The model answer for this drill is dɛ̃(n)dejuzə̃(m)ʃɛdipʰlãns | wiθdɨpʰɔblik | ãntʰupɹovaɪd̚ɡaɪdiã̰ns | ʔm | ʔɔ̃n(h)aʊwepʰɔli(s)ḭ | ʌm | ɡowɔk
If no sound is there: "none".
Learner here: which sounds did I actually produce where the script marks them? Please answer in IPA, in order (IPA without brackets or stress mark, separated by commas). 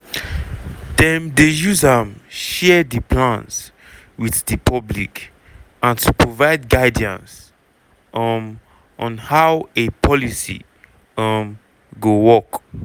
m, m, h, s